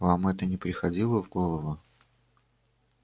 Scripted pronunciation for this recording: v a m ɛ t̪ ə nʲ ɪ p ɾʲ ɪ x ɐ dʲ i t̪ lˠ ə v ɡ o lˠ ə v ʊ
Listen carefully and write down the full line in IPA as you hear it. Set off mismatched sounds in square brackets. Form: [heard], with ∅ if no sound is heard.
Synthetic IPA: v a m ɛ t̪ ə nʲ ɪ p ɾʲ ɪ x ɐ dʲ i [∅] lˠ ə v ɡ o lˠ ə v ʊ